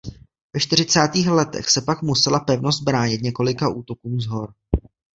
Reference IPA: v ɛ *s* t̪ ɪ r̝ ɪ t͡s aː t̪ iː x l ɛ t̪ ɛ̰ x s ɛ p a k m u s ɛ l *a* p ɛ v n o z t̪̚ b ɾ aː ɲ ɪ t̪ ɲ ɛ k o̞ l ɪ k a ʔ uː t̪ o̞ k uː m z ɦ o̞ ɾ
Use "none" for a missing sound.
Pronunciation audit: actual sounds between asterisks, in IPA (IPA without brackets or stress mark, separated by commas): ʃ, a